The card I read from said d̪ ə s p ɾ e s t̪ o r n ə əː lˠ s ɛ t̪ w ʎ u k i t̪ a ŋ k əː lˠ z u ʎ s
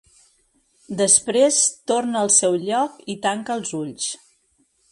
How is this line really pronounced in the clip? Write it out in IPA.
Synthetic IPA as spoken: d̪ ə s p ɾ e s t̪ o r n ə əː lˠ s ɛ w ʎ ɔ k i t̪ a ŋ k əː lˠ z u ʎ s

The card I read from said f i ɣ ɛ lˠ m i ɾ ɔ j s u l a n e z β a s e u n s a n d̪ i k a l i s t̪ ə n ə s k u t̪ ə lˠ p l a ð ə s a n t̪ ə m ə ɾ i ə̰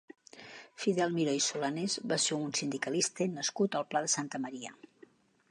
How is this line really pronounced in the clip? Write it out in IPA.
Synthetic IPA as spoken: f i ð ɛ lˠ m i ɾ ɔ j s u l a n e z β a s e u n s i n d̪ i k ə l i s t̪ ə n ə s k u t̪ ə lˠ p l a ð ə s a n t̪ ə m ə ɾ i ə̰

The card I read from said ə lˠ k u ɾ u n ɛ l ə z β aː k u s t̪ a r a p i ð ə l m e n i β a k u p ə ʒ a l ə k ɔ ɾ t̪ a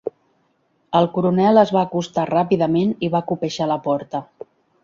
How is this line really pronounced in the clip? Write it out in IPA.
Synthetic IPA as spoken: ə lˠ k u ɾ u n ɛ l ə z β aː k u s t̪ a r a p i ð ə m e n i β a k u p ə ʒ a l ə p ɔ ɾ t̪ ə

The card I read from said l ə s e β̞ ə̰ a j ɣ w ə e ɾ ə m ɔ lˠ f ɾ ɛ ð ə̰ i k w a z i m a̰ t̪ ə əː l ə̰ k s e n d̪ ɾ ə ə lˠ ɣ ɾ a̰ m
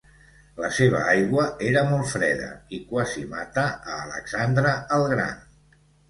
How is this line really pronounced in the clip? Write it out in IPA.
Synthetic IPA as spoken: l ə s e β̞ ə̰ a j ɣ w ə e ɾ ə m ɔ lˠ f ɾ ɛ ð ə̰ i k w a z i m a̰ t̪ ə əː l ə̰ k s a n d̪ ɾ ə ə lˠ ɣ ɾ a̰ n

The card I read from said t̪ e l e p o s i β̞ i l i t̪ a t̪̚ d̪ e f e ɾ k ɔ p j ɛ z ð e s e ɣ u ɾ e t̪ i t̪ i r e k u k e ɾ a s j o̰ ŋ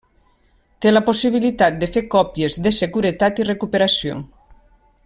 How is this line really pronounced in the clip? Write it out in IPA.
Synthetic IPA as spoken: t̪ e l a p o s i β̞ i l i t̪ a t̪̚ d̪ e f e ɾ k ɔ p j e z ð e s e ɣ u ɾ e t̪ a t̪ i r e k u p e ɾ a s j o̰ ŋ

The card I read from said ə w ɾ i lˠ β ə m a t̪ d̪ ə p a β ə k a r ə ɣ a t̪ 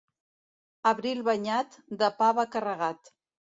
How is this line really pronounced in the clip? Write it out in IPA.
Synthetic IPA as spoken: ə β ɾ i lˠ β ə ɲ a t̪ d̪ ə p a β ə k ə r ə ɣ a t̪

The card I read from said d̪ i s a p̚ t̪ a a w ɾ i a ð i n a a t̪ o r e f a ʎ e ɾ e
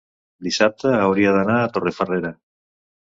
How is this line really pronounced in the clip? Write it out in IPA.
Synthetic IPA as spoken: d̪ i s a p̚ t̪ a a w ɾ i a ð a n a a t̪ o r e f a r e ɾ a

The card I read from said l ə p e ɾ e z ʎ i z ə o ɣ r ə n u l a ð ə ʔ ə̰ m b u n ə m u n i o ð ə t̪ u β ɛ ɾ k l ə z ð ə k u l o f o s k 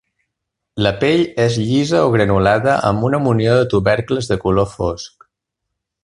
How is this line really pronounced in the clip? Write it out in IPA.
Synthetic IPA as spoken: l ə p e ʎ e z ʎ i z ə o ɣ ɾ ə n u l a ð ə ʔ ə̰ m b u n ə m u n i o ð ə t̪ u β ɛ ɾ k l ə z ð ə k u l o f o s k

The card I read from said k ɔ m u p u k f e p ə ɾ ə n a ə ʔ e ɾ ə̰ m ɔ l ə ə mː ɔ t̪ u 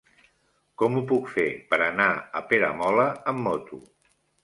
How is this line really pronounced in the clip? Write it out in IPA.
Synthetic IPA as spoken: k ɔ m u p u k f e p ə ɾ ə n a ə p e ɾ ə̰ m ɔ l ə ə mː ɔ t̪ u

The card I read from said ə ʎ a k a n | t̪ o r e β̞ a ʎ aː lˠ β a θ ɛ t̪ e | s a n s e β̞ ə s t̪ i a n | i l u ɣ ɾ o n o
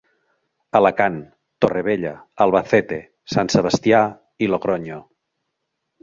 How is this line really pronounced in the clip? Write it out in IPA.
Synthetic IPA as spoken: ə l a k a n | t̪ o r e β̞ e ʎ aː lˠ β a θ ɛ t̪ e | s a n s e β̞ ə s t̪ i a | i l o ɣ ɾ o ɲ o

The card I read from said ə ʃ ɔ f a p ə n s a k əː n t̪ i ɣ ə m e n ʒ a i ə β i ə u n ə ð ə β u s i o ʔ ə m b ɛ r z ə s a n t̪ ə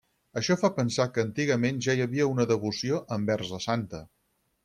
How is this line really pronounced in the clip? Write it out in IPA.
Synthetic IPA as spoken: ə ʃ ɔ f a p ə n s a k əː n t̪ i ɣ ə m e n ʒ a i ə β i ə u n ə ð ə β u s i o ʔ ə m b ɛ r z ə s a n t̪ ə

